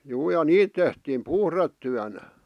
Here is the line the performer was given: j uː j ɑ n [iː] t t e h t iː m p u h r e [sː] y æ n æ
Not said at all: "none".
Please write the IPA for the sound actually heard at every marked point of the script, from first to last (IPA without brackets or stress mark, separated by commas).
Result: iː, tː